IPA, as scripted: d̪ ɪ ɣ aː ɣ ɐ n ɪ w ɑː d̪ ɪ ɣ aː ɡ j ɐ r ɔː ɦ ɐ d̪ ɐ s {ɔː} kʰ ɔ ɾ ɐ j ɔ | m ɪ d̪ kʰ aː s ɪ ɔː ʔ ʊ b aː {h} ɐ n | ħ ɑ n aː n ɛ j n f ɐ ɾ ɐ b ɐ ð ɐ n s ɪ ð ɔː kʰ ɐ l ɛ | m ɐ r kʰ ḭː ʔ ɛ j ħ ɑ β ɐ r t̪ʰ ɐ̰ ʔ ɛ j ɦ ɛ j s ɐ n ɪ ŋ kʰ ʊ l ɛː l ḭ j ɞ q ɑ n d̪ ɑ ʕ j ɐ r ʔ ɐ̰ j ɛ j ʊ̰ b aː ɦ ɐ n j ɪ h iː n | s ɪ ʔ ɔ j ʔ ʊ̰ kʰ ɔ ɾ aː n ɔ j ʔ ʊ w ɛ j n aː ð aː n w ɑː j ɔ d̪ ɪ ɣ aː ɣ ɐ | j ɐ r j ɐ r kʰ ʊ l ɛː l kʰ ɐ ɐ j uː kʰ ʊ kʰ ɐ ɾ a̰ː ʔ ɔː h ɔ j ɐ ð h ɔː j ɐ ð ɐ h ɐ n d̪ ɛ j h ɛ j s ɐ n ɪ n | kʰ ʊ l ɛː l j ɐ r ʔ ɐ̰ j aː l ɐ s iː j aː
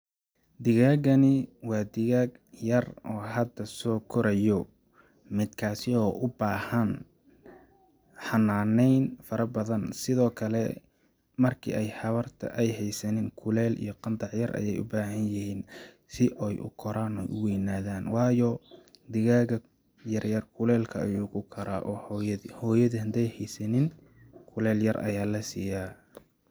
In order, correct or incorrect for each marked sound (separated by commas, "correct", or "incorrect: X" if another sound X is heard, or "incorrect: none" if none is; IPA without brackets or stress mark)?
correct, correct